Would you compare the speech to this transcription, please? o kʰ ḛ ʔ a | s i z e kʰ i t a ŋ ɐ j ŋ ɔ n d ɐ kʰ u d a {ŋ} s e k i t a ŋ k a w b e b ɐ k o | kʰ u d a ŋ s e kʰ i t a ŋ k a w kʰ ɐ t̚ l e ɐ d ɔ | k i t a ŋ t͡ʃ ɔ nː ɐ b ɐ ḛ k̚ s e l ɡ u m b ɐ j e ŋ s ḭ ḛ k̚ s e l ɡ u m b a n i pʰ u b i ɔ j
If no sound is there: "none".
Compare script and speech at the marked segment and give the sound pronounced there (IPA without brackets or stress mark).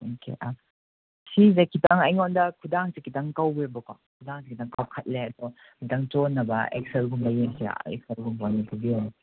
ŋ